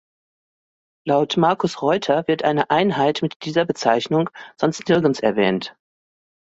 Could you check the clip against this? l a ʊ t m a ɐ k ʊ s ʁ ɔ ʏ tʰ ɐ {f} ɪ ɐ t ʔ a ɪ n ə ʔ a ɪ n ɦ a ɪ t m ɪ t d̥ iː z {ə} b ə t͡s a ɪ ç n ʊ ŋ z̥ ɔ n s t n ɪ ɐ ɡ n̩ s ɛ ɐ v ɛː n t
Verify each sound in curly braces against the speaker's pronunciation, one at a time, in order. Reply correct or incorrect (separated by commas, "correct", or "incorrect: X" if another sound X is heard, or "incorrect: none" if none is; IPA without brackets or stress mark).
incorrect: v, incorrect: ɐ